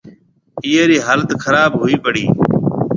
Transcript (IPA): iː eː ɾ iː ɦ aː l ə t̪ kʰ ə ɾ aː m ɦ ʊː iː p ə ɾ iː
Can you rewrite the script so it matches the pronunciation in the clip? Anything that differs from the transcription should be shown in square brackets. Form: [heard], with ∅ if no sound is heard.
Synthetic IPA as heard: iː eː ɾ iː ɦ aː l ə t̪ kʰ ə ɾ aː [b] ɦ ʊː iː p ə [ɽ] iː